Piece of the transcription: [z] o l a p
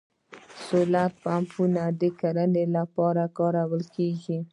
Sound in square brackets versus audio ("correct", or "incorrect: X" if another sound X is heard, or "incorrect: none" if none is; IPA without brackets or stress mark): incorrect: s